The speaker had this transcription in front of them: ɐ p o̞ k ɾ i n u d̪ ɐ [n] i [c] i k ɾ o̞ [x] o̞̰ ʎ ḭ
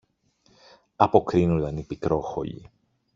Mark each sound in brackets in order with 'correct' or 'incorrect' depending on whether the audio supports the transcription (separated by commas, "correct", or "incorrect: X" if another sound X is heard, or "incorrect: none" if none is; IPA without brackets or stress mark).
correct, incorrect: p, correct